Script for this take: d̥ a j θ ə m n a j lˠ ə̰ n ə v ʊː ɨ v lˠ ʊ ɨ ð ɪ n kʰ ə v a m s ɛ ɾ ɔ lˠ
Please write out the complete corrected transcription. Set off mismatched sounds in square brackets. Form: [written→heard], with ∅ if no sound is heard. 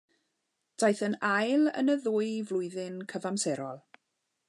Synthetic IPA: d̥ a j θ ə [m→∅] n a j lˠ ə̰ n ə [v→ð] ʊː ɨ v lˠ ʊ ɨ ð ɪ n kʰ ə v a m s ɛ ɾ ɔ lˠ